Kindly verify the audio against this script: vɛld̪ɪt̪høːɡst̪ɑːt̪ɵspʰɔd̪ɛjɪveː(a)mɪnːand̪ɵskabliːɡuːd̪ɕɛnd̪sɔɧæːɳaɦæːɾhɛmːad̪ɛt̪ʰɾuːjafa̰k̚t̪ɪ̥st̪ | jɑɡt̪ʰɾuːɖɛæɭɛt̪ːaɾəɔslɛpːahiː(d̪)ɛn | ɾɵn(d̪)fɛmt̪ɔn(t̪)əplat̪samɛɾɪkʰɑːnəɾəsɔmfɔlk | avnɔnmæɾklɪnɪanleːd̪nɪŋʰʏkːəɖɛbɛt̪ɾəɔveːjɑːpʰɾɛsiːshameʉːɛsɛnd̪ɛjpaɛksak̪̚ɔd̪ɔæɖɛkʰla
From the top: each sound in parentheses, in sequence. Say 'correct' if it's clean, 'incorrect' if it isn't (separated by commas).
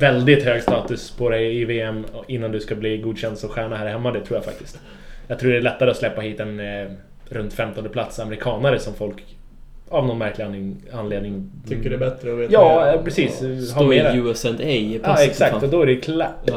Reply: incorrect, incorrect, incorrect, incorrect